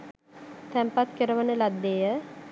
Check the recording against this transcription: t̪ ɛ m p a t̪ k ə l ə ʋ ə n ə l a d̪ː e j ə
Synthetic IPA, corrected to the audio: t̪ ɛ m p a t̪ k ə ɾ ə ʋ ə n ə l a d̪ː e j ə